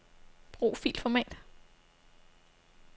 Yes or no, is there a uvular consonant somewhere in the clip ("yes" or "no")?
yes